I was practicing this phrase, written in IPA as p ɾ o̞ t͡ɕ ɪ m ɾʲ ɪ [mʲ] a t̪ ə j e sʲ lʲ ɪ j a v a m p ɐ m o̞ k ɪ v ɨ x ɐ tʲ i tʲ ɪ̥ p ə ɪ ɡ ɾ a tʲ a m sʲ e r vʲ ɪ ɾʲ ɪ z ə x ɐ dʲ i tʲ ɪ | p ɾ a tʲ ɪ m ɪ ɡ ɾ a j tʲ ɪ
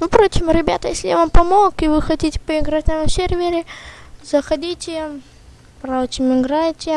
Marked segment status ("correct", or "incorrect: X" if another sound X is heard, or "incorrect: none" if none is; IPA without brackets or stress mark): incorrect: bʲ